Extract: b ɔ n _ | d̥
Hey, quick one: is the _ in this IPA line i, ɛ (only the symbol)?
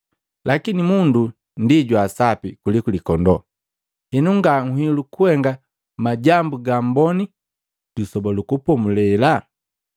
i